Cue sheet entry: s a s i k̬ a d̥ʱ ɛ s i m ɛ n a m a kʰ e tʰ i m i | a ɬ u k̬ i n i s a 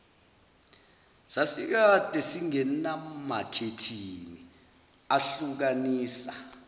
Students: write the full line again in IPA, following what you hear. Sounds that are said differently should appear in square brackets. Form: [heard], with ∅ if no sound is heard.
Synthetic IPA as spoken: s a s i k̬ a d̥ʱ ɛ s i [ŋ] ɛ n a m a kʰ e tʰ i [n] i | a ɬ u k̬ [a] n [iː] s a